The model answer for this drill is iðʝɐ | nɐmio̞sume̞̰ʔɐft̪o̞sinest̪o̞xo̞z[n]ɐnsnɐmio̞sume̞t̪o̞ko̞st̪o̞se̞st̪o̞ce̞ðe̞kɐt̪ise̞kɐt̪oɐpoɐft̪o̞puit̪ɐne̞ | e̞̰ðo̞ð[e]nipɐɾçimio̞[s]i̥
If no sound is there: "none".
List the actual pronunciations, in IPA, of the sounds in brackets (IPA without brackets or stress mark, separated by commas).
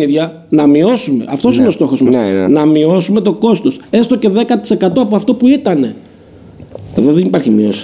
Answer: m, e, s